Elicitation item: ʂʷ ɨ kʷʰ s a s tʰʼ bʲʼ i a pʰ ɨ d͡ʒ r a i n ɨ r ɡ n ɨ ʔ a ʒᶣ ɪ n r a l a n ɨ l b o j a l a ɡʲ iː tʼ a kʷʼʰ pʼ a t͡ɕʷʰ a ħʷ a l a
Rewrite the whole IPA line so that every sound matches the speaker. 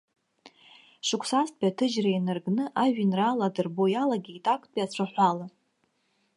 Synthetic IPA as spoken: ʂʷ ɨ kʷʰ s a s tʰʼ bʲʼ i a tʰ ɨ d͡ʒ r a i n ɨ r ɡ n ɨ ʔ a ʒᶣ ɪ n r a l a d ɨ r b o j a l a ɡʲ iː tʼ a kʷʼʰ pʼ a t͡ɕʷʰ a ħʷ a l a

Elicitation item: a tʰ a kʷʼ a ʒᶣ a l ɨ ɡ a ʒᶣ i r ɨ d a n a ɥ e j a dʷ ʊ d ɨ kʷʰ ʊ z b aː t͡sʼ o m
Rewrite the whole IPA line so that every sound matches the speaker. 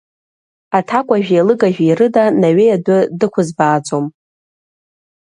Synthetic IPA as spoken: a tʰ a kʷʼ a ʒᶣ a l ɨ ɡ a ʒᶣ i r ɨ d a n a ɥ e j a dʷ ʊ d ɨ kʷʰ ʊ z b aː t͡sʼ o m

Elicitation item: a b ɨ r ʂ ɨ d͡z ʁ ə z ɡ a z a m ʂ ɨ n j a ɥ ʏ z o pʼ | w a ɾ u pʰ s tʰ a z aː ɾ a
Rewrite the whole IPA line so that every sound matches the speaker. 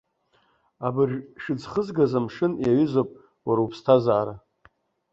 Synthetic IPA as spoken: a b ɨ r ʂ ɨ d͡z χ ə z ɡ a z a m ʂ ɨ n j a ɥ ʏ z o pʼ | w a ɾ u pʰ s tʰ a z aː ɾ a

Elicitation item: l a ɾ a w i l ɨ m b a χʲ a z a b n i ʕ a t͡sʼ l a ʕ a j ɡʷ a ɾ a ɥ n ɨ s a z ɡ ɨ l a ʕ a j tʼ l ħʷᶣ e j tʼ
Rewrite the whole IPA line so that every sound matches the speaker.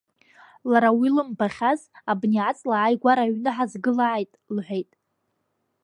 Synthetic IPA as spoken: l a ɾ a w i l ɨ m b a χʲ a z a b n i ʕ a t͡sʼ l a ʕ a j ɡʷ a ɾ a ɥ n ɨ ħ a z ɡ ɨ l a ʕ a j tʼ l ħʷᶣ e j tʼ

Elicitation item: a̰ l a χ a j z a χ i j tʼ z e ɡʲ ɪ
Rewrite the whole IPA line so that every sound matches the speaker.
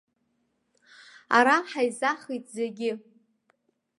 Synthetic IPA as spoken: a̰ ɾ a ħ a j z a χ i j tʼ z e ɡʲ ɪ

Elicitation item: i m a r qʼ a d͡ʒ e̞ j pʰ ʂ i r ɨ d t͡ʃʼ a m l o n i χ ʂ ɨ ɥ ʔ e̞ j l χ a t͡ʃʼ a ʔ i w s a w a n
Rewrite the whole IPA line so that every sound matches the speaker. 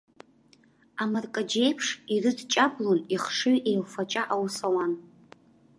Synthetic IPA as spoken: a m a r kʼ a d͡ʒ e̞ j pʰ ʂ i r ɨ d t͡ʃʼ a b l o n i χ ʂ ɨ ɥ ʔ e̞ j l f a t͡ʃʼ a ʔ a w s a w a n

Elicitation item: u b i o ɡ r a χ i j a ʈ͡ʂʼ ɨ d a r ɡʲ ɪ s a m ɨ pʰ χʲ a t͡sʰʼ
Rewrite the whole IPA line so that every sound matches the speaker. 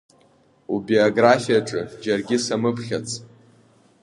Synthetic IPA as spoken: u b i o ɡ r a f i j a ʈ͡ʂʼ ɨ d͡ʒ a r ɡʲ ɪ s a m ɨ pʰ χʲ a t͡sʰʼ

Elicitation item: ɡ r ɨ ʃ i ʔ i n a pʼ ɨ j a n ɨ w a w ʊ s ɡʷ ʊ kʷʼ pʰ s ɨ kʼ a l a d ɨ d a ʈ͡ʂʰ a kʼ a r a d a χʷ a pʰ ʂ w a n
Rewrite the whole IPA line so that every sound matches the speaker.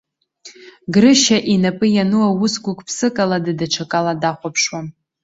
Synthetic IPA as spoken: ɡ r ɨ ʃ a ʔ i n a pʼ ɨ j a n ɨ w a w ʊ s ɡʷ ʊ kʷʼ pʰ s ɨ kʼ a l a d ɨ d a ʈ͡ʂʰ a kʼ a l a d a χʷ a pʰ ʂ w a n

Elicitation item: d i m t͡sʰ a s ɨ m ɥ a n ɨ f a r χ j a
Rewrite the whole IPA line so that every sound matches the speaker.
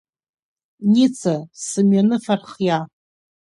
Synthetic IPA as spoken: n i t͡sʰ a s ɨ m ɥ a n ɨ f a r χ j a

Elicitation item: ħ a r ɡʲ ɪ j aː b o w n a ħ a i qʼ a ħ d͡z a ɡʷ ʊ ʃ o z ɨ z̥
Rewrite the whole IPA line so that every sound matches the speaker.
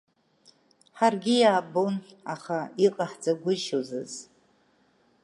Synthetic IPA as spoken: ħ a r ɡʲ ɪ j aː b o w n a χ a i qʼ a ħ d͡z a ɡʷ ʊ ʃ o z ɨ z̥

